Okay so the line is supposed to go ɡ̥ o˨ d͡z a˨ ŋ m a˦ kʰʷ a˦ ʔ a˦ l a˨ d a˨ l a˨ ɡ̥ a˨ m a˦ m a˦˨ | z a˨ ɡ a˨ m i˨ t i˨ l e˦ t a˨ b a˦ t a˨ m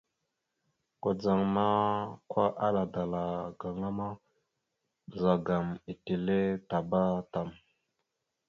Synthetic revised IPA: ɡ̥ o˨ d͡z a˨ ŋ m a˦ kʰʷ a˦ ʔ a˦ l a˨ d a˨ l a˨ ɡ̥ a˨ ŋ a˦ m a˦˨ | z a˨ ɡ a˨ m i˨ t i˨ l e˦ t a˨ b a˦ t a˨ m